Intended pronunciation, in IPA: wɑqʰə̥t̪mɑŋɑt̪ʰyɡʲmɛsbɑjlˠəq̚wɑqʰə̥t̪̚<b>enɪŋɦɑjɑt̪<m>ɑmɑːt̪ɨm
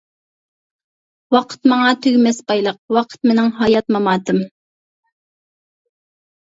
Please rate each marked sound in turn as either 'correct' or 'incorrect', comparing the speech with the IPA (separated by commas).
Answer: incorrect, correct